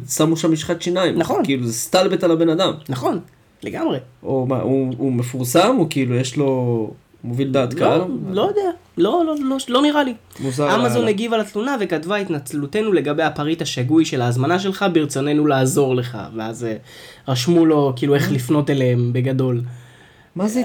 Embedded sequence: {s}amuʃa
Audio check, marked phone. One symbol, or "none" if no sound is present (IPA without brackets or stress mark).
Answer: s